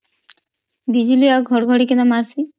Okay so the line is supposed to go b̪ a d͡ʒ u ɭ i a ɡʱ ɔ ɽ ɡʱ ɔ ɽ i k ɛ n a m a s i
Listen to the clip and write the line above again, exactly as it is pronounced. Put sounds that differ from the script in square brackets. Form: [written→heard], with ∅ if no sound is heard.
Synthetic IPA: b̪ [a→i] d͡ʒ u [ɭ→l] i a ɡʱ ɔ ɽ ɡʱ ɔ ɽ i k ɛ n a m a s i